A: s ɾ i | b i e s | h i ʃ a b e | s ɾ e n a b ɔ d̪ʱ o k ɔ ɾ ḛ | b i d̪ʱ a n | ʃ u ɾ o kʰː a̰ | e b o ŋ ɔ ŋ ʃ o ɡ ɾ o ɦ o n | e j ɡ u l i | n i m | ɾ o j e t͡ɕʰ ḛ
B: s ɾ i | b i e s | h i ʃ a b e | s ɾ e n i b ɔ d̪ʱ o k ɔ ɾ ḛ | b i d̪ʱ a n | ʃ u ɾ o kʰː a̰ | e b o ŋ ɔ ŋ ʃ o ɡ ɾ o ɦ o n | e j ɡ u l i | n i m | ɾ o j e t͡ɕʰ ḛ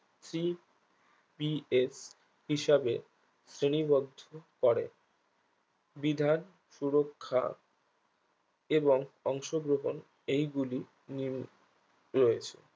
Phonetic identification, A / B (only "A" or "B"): B